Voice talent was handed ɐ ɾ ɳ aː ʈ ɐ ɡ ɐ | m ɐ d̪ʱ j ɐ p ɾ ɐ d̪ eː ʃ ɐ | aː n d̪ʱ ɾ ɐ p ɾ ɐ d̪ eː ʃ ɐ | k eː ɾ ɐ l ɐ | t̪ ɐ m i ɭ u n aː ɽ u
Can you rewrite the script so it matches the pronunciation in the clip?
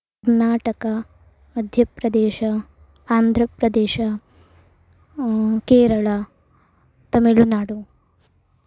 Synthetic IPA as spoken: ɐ ɾ n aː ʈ ɐ k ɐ | m ɐ d̪ʱ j ɐ p ɾ ɐ d̪ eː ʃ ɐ | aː n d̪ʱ ɾ ɐ p ɾ ɐ d̪ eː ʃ ɐ | k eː ɾ ɐ ɭ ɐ | t̪ ɐ m i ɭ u n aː ɽ u